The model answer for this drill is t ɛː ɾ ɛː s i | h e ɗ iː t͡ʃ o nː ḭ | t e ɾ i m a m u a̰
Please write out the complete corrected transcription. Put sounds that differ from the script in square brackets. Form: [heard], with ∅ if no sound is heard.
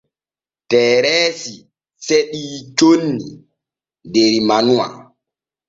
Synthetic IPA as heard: t ɛː ɾ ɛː s i | [s] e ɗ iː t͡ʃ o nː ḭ | [d] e ɾ i m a [n] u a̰